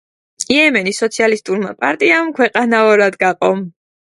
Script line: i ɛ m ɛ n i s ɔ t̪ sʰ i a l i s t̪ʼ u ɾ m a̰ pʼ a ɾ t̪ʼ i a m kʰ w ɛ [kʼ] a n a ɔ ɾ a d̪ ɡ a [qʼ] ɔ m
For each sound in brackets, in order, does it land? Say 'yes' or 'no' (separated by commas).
no, yes